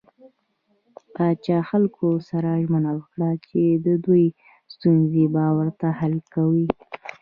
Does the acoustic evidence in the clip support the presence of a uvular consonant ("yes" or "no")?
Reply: no